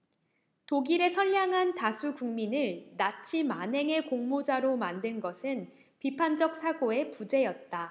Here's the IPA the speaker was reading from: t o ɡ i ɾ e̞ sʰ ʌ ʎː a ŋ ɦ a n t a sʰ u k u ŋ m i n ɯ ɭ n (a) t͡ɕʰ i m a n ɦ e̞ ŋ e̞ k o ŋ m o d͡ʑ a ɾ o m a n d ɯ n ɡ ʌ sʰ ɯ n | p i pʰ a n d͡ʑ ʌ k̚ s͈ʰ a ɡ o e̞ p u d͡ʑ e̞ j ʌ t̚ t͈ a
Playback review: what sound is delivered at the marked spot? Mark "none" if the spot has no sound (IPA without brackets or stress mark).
a